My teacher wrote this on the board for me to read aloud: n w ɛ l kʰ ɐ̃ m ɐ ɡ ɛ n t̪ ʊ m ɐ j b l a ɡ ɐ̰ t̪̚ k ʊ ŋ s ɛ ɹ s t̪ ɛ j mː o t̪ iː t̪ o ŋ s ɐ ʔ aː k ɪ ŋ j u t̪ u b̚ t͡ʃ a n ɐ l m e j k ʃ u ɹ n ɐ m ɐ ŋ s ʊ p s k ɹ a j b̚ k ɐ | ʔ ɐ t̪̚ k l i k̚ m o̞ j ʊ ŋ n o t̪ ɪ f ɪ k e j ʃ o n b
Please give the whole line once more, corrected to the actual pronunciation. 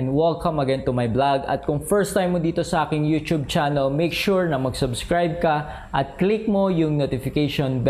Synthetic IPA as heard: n w ɛ l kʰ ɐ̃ m ɐ ɡ ɛ n t̪ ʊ m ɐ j b l a ɡ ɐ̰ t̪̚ k ʊ ŋ f ɛ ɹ s t̪ a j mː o d̪ iː t̪ o s ɐ ʔ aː k ɪ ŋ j u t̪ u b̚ t͡ʃ a n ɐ l m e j k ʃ u ɹ n ɐ m ɐ ɡ s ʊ b s k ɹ a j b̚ k ɐ | ʔ ɐ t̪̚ k l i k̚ m o̞ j ʊ ŋ n o t̪ ɪ f ɪ k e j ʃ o n b